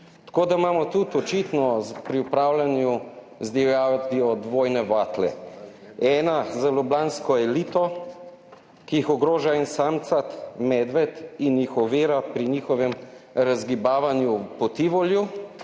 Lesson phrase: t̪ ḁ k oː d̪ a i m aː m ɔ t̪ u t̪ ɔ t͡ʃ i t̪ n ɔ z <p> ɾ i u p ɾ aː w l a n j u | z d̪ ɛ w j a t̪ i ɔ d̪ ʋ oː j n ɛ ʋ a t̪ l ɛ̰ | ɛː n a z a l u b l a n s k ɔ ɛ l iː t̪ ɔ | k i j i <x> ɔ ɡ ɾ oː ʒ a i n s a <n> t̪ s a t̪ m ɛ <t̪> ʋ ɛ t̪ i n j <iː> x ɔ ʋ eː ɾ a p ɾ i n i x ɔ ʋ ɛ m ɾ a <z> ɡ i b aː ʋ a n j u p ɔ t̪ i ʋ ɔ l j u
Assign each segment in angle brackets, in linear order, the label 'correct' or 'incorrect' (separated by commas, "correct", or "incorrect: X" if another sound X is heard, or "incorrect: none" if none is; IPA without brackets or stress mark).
correct, correct, incorrect: m, incorrect: d̪, incorrect: i, correct